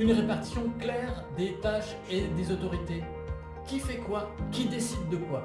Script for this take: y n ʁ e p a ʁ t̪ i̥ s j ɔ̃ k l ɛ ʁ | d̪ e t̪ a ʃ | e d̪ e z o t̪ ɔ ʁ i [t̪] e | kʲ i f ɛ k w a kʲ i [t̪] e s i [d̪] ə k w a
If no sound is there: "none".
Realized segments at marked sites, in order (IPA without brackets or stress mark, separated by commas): t̪, d̪, d̪ː